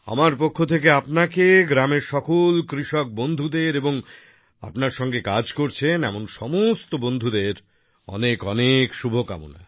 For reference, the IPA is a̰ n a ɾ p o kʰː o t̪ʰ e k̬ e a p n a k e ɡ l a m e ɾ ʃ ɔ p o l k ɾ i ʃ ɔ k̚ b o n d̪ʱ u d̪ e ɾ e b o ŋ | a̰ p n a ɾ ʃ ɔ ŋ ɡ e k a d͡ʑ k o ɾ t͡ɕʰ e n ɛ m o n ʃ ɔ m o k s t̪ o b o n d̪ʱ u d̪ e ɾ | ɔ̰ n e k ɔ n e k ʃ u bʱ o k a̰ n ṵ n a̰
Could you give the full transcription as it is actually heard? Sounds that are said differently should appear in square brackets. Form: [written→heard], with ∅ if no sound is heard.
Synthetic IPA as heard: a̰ [n→m] a ɾ p o kʰː o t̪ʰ e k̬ e a p n a k e ɡ [l→ɾ] a m e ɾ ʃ ɔ [p→k] o l k ɾ i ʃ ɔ k̚ b o n d̪ʱ u d̪ e ɾ e b o ŋ | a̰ p n a ɾ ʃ ɔ ŋ ɡ e k a d͡ʑ k o ɾ t͡ɕʰ e n ɛ m o n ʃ ɔ m o [k→∅] s t̪ o b o n d̪ʱ u d̪ e ɾ | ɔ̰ n e k ɔ n e k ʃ u bʱ o k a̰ [n→m] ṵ n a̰